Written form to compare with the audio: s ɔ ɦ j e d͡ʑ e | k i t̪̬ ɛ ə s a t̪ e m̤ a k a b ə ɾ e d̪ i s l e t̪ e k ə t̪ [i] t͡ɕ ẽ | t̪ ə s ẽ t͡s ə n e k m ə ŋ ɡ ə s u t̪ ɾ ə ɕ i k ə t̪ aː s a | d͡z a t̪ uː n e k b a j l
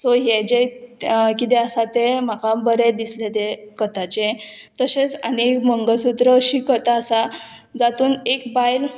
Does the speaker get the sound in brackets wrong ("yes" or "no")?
yes